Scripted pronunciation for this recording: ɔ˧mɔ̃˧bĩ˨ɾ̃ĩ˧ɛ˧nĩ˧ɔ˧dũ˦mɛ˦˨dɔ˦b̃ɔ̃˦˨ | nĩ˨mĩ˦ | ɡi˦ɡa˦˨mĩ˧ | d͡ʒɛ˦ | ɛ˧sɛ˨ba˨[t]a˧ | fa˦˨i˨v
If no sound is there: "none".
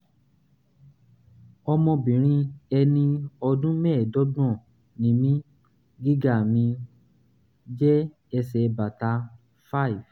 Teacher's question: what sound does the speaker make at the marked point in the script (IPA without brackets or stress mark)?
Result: t